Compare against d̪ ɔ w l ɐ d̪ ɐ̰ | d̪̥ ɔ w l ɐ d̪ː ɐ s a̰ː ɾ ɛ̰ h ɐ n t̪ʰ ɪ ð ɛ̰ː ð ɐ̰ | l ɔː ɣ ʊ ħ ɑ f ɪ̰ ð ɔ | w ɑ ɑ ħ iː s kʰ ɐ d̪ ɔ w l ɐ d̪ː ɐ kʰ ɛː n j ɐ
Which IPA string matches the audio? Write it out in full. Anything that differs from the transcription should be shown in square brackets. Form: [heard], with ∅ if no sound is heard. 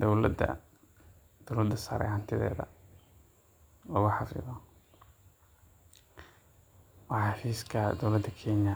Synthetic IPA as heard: d̪ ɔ w l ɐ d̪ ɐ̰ | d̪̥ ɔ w l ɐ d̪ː ɐ s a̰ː ɾ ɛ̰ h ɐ n t̪ʰ ɪ ð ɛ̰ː ð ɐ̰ | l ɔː ɣ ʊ ħ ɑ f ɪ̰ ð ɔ | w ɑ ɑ [f] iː s kʰ ɐ d̪ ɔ w l ɐ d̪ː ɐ kʰ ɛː n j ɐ